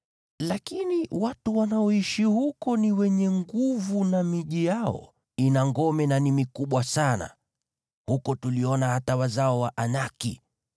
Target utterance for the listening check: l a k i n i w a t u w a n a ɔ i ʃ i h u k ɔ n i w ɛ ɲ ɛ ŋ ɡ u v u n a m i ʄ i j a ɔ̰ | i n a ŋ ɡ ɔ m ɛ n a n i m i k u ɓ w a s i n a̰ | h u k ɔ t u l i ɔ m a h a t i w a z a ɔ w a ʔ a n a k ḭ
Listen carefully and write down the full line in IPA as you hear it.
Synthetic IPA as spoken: l a k i n i w a t u w a n a ɔ i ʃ i h u k ɔ n i w ɛ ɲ ɛ ŋ ɡ u v u n a m i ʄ i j a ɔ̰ | i n a ŋ ɡ ɔ m ɛ n a n i m i k u ɓ w a s a n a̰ | h u k ɔ t u l i ɔ n a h a t a w a z a ɔ w a ʔ a n a k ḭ